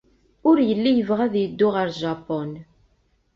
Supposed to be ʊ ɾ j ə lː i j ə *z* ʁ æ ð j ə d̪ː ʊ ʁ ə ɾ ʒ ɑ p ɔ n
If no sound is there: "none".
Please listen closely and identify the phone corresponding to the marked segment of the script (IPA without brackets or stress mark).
v